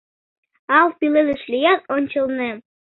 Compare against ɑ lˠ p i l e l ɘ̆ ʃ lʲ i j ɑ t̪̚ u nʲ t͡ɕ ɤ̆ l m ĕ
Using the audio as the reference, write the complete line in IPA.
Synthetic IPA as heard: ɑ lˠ p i l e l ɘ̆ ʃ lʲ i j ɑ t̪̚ o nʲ t͡ɕ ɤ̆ l n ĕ